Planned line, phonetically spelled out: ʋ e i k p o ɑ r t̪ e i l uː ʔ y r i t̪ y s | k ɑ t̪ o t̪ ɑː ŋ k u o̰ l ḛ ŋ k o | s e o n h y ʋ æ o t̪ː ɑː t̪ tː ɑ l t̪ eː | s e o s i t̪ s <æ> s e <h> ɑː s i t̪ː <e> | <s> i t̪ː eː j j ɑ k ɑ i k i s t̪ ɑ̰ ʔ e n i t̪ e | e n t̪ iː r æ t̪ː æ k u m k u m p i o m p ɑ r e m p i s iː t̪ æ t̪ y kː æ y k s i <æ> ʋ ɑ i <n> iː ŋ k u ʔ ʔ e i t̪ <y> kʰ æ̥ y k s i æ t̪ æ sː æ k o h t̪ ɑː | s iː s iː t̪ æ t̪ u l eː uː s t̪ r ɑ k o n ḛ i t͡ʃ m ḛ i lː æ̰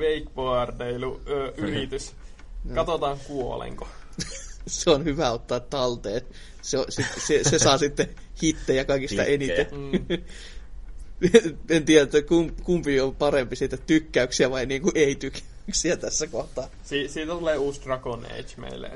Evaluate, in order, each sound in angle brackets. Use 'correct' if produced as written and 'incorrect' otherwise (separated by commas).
incorrect, incorrect, correct, incorrect, correct, correct, correct